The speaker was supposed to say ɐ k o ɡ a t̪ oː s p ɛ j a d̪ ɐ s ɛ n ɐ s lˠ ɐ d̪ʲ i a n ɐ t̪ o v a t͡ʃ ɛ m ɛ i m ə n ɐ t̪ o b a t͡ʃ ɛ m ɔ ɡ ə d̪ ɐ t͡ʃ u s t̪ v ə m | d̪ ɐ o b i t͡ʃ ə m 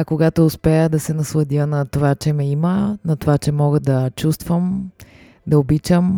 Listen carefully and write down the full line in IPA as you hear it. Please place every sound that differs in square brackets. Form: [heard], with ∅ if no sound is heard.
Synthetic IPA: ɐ k o ɡ a t̪ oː s p ɛ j [ə] d̪ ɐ s ɛ n ɐ s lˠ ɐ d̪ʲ i [ə] n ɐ t̪ o v a t͡ʃ ɛ m ɛ i m ə n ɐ t̪ o [v] a t͡ʃ ɛ m ɔ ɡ ə d̪ ɐ t͡ʃ u s t̪ v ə m | d̪ ɐ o b i t͡ʃ ə m